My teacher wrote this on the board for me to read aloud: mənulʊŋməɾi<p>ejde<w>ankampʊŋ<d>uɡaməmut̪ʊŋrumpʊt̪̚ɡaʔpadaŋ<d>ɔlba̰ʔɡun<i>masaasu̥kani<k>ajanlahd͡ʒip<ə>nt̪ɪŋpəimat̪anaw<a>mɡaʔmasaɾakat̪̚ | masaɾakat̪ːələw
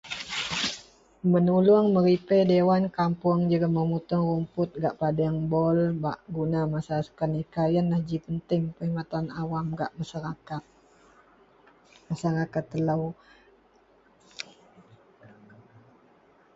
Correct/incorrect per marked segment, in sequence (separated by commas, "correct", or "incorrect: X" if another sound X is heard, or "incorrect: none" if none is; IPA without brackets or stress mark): correct, correct, incorrect: d͡ʒ, incorrect: b, incorrect: a, correct, correct, correct